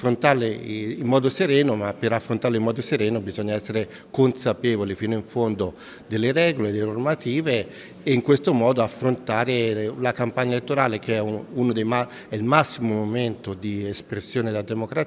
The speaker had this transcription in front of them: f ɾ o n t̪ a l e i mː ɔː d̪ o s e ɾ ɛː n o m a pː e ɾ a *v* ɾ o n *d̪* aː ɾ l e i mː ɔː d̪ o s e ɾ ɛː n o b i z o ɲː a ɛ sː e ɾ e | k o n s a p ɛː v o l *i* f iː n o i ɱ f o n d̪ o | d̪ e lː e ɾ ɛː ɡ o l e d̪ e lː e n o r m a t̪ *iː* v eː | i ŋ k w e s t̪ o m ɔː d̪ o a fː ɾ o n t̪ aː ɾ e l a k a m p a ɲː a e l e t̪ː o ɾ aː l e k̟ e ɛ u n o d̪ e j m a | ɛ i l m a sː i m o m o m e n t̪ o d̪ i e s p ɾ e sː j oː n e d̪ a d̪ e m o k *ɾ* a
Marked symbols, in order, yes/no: no, no, yes, yes, yes

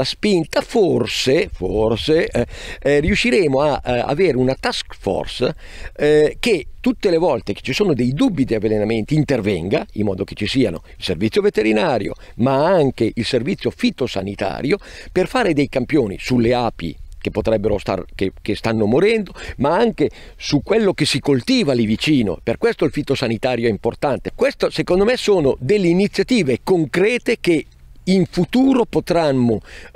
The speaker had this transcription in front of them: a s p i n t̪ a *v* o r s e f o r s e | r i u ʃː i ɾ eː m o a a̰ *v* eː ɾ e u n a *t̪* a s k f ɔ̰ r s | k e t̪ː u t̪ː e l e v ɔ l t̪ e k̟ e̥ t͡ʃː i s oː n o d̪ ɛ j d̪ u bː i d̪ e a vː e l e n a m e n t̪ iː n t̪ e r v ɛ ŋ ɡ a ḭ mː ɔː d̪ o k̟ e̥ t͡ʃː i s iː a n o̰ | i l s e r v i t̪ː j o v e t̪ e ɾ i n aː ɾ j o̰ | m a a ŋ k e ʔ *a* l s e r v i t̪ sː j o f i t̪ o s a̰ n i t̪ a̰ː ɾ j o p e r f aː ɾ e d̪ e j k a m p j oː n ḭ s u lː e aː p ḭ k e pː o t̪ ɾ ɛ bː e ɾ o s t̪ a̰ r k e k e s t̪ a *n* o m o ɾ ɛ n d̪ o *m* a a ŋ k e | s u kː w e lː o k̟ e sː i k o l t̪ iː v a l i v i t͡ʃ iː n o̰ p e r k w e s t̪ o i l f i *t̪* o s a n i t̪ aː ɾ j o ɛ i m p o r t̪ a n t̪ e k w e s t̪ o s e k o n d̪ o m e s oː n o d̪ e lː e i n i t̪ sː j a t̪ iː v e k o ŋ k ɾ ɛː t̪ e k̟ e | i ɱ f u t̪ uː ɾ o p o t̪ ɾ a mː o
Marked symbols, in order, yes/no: no, yes, yes, no, no, yes, yes

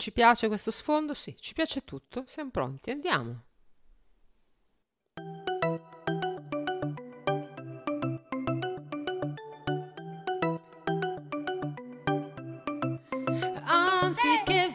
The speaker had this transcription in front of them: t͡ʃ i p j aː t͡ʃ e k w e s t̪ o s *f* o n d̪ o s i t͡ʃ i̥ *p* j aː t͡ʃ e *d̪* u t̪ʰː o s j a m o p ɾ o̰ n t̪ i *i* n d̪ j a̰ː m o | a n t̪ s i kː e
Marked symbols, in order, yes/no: yes, yes, no, no

